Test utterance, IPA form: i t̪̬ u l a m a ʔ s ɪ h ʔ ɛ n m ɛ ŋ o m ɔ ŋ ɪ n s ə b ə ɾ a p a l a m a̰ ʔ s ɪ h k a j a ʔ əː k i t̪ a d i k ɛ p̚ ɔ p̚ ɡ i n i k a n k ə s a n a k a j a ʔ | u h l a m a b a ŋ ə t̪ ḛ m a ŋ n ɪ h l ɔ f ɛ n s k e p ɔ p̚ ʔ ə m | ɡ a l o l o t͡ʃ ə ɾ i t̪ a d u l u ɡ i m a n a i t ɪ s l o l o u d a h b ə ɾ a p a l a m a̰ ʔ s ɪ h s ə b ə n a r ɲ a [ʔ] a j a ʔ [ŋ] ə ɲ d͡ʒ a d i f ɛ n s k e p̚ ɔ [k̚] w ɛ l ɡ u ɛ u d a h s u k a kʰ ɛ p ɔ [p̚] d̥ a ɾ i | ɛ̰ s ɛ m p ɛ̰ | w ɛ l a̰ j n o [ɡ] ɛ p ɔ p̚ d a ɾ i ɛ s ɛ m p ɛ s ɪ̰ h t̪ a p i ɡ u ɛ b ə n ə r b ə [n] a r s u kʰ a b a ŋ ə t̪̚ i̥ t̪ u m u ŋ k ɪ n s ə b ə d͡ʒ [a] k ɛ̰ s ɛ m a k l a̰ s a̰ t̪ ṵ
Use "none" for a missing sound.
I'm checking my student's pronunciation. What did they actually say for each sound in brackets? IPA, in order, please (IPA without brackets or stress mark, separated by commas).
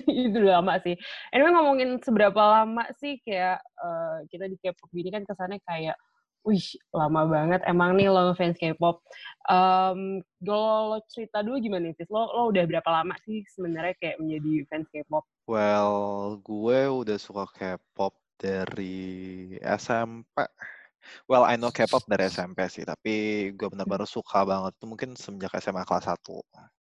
k, m, p̚, p̚, k, n, a